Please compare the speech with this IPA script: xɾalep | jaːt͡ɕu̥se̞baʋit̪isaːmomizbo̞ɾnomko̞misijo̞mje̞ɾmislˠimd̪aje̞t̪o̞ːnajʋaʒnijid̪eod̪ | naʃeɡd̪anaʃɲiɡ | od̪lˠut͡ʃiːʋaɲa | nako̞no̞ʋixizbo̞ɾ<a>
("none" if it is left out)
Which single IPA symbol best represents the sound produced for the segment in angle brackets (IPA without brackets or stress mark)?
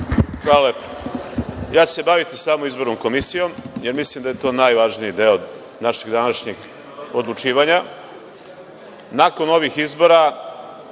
a